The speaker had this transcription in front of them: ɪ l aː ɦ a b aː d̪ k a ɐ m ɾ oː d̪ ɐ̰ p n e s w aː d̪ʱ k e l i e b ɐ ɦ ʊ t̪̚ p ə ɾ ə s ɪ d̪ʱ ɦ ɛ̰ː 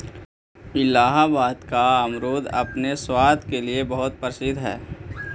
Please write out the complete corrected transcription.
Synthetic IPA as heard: ɪ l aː ɦ a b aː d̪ k a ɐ m ɾ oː d̪ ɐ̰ p n e s w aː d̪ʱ k e l i e b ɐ ɦ ʊ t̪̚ p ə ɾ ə s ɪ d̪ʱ ɦ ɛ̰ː